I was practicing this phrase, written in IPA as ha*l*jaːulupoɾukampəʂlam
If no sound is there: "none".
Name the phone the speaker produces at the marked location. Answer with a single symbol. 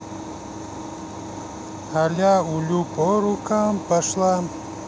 l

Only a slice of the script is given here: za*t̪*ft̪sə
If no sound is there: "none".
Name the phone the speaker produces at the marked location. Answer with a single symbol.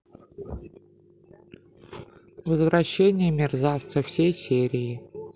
none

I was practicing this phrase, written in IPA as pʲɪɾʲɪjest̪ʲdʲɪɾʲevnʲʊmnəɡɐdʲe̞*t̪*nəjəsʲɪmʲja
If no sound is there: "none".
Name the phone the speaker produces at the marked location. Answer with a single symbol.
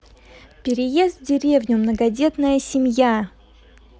t̪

